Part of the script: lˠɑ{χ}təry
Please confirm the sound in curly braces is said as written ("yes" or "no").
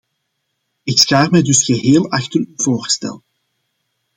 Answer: no